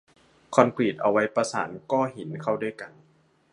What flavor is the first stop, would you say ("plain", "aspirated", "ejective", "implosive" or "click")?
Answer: aspirated